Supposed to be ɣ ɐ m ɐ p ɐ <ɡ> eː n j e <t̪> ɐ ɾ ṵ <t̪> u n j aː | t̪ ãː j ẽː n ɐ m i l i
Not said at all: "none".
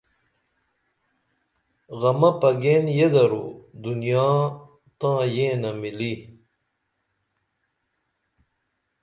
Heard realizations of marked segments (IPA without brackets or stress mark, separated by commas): ɡ, d̪, d̪